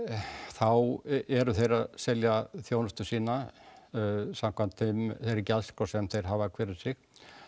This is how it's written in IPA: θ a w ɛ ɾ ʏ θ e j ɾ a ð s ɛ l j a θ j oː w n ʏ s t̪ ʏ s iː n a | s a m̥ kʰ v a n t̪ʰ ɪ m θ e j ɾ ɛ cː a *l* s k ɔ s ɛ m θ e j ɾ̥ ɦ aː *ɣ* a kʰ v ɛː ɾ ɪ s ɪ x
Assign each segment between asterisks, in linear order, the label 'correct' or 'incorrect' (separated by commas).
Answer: correct, incorrect